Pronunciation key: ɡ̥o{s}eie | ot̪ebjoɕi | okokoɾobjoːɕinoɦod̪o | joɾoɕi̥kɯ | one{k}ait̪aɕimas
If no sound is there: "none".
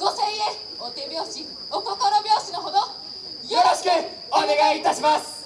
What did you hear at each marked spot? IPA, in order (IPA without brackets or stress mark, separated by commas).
s, ɡ